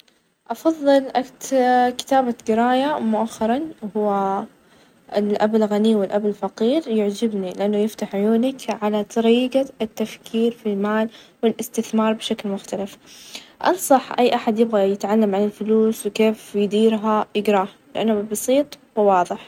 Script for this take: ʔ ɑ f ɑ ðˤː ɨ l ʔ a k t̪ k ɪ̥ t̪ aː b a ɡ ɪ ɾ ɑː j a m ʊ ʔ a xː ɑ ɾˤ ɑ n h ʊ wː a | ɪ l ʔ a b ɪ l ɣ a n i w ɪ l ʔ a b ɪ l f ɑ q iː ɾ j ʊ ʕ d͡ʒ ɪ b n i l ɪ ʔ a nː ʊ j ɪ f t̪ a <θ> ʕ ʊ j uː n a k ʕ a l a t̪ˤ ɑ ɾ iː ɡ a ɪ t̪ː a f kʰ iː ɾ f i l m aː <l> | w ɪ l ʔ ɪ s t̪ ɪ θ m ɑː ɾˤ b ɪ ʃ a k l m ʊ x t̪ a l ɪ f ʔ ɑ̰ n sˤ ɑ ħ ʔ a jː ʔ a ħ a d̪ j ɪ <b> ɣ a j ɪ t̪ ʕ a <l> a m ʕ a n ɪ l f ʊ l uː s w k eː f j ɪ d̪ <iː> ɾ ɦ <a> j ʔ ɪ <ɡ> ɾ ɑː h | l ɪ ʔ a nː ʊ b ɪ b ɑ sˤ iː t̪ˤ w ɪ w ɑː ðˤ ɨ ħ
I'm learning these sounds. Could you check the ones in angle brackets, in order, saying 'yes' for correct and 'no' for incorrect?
no, yes, yes, no, yes, yes, yes

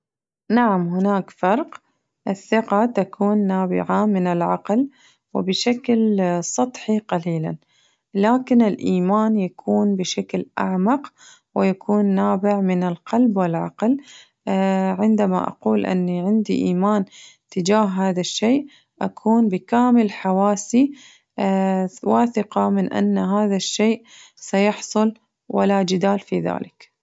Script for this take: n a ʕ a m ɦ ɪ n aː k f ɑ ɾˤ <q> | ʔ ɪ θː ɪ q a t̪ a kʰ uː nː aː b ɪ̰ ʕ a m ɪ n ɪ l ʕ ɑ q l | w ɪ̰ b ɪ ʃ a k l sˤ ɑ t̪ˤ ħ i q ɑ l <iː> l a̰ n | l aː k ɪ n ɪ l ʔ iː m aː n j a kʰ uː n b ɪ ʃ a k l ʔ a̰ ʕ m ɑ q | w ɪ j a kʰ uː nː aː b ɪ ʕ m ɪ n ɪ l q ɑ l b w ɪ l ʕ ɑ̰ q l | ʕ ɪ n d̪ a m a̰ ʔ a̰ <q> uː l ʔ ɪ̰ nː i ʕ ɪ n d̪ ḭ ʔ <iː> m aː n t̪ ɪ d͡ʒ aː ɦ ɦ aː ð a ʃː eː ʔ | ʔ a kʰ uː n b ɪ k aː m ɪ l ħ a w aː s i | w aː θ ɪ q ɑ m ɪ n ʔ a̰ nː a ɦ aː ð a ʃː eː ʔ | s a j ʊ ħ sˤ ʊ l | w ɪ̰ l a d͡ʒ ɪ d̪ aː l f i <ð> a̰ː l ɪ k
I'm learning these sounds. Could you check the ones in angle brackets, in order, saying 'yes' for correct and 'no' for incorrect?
yes, yes, yes, yes, yes

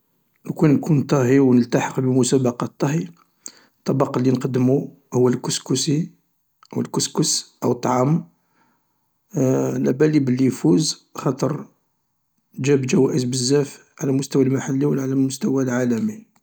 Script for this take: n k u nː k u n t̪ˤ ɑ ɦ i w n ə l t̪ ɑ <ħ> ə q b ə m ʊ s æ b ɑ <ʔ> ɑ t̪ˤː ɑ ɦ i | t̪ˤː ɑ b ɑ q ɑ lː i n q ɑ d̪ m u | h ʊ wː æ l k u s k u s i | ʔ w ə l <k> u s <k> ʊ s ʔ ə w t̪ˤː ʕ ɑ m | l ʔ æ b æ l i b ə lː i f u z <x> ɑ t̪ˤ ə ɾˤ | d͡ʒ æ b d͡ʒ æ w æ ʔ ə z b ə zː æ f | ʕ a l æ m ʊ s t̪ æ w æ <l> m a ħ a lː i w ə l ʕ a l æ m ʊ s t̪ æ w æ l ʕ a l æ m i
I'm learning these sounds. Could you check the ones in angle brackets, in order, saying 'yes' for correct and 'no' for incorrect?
yes, no, yes, yes, yes, yes

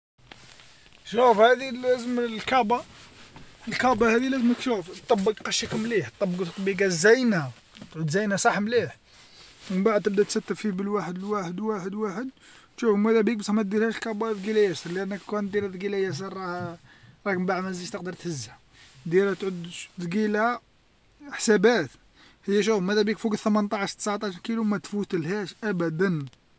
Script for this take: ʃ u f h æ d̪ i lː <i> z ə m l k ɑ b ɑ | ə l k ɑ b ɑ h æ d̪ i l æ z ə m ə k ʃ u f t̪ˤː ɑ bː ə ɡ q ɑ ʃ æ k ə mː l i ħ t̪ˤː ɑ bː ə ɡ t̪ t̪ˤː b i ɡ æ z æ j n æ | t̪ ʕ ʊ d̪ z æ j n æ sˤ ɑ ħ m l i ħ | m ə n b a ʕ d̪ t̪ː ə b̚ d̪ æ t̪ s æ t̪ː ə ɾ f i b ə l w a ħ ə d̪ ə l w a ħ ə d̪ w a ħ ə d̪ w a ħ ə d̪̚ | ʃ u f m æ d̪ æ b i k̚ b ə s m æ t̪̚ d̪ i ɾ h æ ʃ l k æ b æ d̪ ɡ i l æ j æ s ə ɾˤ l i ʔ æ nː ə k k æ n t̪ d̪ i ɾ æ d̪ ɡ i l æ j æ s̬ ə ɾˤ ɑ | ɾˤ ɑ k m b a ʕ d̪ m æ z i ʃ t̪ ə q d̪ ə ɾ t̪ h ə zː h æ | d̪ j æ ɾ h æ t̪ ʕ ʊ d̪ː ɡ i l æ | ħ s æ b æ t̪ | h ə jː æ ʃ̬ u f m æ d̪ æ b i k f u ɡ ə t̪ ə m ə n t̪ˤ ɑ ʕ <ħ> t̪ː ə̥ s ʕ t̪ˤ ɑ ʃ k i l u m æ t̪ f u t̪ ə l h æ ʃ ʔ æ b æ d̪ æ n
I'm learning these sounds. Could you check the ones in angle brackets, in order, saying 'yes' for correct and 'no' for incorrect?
no, no

